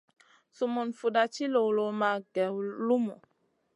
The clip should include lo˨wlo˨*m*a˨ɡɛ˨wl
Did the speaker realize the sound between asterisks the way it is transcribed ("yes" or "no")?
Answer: yes